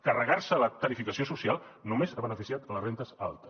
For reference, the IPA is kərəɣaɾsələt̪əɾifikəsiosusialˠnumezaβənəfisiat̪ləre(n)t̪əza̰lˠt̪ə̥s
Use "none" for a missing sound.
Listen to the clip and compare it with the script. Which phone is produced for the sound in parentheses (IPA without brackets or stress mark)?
n